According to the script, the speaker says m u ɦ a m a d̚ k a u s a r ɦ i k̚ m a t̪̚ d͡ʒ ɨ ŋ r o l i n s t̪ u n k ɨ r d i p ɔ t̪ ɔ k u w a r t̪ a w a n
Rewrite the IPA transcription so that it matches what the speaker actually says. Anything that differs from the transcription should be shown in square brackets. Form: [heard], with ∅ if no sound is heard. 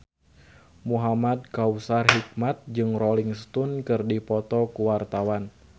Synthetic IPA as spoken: m u ɦ a m a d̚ k a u s a r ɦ i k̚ m a t̪̚ d͡ʒ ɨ ŋ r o l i [ŋ] s t̪ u n k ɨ r d i p ɔ t̪ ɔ k u w a r t̪ a w a n